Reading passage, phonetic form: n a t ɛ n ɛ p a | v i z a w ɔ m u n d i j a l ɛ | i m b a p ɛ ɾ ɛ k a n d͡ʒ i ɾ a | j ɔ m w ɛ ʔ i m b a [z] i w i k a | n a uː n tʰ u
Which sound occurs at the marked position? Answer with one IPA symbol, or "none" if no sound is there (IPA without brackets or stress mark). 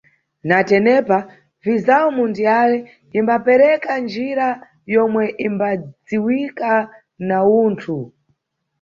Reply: d͡z